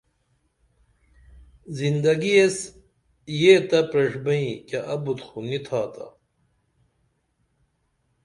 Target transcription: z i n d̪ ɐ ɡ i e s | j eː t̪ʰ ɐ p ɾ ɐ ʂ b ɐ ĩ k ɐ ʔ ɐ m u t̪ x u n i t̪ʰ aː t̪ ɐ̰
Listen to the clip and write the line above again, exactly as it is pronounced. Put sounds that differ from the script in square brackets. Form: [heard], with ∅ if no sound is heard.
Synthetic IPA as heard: z i n d̪ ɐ ɡ i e s | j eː [t̪] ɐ p ɾ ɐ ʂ b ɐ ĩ k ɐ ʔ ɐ [b] u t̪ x u n i t̪ʰ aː t̪ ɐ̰